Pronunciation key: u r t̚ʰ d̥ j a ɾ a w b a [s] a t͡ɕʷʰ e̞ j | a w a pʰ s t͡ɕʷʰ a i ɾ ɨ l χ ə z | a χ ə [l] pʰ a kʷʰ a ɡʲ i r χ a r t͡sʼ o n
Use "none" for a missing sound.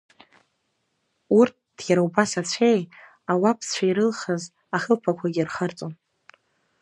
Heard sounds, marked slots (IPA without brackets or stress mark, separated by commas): s, l